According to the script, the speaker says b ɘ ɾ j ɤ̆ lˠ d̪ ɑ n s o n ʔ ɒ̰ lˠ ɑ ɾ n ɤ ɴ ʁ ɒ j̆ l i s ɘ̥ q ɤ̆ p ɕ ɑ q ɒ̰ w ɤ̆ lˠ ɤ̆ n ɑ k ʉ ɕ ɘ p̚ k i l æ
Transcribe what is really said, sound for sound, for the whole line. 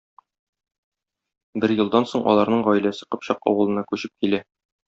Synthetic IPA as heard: b ɘ ɾ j ɤ̆ lˠ d̪ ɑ n s o ɴ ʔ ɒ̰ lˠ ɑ ɾ n ɤ ɴ ʁ ɒ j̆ l æ s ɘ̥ q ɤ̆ p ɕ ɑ q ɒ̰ w ɤ̆ lˠ ɤ̆ n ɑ k ʉ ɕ ɘ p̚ k i l æ